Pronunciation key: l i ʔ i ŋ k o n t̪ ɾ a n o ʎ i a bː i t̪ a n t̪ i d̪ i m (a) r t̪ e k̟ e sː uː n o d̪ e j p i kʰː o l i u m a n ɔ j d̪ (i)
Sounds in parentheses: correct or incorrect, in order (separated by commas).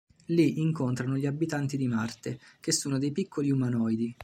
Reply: correct, correct